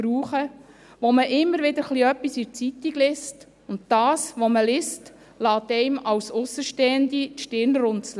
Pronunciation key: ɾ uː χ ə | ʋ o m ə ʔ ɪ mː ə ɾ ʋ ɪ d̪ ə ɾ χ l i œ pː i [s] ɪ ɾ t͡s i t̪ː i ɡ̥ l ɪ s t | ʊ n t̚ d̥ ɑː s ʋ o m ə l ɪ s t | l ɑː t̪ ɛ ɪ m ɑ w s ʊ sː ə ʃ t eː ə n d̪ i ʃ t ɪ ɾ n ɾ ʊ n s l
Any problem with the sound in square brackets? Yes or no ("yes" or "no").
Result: no